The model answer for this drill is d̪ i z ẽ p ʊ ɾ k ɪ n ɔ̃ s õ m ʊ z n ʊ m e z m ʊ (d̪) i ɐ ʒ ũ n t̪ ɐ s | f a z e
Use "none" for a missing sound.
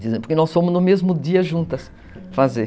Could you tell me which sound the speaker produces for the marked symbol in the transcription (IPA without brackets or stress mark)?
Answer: d̪